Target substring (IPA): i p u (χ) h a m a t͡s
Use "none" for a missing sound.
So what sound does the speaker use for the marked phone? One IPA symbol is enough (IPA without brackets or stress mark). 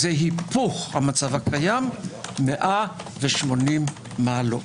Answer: χ